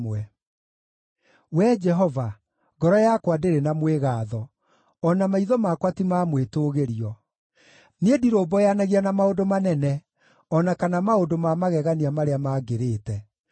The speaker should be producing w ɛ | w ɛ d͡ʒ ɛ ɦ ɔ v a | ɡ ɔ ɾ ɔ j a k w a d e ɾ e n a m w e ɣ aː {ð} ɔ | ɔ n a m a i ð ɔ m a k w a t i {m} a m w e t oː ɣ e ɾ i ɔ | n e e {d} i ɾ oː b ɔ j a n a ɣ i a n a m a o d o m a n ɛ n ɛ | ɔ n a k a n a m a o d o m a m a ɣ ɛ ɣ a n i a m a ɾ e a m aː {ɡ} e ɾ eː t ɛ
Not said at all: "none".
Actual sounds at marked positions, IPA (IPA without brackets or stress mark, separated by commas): ð, m, d, ɡ